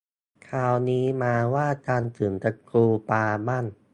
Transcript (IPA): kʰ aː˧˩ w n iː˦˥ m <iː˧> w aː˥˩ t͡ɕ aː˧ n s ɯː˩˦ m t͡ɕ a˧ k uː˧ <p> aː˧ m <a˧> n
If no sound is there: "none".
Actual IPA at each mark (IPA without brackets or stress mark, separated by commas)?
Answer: aː˧, p, a˥˩